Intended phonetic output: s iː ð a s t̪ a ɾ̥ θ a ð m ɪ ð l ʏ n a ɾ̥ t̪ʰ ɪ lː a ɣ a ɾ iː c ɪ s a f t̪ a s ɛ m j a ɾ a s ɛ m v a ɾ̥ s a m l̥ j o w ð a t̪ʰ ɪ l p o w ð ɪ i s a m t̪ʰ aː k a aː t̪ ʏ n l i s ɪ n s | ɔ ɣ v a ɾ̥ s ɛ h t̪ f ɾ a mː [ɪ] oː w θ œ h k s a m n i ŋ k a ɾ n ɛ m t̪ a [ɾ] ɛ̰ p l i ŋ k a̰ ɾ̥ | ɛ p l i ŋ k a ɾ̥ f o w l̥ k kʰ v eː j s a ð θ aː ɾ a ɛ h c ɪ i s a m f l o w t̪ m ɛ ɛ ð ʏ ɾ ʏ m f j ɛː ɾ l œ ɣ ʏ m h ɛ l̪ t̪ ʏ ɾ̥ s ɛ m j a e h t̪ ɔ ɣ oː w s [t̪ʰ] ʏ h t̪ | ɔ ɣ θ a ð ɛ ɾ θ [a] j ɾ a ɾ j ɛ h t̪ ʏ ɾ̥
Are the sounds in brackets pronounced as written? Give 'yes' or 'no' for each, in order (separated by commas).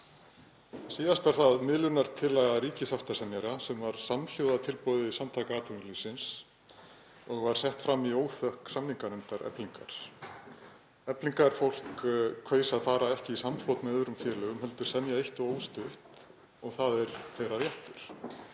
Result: no, yes, no, no